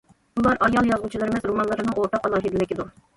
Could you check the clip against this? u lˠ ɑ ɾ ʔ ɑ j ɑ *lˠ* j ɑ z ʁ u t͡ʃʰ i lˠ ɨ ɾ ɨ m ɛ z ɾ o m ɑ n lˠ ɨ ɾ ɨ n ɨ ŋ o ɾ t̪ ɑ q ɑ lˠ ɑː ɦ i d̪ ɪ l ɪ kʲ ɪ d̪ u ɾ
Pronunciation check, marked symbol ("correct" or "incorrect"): correct